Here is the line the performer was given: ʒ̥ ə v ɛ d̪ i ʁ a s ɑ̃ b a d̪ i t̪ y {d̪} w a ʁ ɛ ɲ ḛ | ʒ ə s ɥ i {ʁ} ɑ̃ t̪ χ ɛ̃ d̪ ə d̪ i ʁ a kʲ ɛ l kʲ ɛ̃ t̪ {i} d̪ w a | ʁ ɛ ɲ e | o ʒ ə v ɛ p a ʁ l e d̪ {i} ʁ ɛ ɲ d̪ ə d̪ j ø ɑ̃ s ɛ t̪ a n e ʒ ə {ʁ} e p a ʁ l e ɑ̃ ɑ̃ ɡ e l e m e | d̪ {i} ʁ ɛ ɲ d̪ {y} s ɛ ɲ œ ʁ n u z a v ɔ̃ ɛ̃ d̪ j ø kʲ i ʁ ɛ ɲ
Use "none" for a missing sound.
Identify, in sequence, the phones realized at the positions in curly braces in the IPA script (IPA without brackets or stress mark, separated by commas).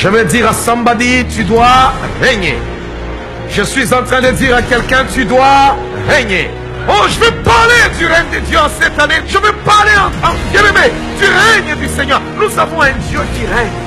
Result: d̪, z, y, y, v, y, y